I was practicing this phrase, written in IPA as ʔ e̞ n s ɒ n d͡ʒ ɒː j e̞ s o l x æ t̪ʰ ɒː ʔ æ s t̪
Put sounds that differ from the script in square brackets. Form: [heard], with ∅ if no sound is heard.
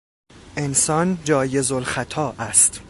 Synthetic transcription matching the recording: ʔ e̞ n s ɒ n d͡ʒ ɒː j e̞ [z] o l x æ t̪ʰ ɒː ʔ æ s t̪